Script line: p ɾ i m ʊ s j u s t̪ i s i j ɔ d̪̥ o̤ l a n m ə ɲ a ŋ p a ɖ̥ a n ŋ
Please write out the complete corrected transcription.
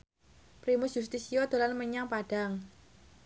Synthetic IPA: p ɾ i m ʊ s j u s t̪ i s i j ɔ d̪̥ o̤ l a n m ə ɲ a ŋ p a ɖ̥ a ŋ